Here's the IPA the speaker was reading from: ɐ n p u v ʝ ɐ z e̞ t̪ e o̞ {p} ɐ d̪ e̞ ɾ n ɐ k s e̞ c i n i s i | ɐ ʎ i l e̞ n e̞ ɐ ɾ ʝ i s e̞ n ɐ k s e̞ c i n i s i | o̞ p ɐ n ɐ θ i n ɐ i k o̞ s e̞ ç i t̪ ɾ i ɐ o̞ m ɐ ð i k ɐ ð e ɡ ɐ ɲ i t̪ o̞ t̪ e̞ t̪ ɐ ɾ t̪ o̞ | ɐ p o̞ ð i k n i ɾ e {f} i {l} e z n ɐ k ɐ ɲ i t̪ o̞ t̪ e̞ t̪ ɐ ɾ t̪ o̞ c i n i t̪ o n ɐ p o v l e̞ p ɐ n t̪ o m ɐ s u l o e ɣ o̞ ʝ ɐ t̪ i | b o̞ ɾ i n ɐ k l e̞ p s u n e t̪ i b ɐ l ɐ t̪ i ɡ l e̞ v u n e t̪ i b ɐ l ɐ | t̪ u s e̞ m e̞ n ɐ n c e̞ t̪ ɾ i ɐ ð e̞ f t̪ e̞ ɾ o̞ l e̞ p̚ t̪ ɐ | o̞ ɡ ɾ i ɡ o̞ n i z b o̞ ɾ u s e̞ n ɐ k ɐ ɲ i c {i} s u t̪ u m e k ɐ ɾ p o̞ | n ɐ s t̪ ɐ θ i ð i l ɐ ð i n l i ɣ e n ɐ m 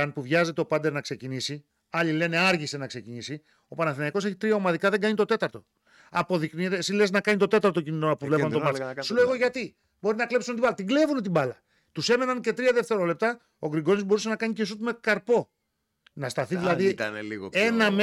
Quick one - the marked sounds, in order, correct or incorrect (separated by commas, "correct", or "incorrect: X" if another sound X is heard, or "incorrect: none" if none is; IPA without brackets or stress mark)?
correct, incorrect: s, correct, incorrect: e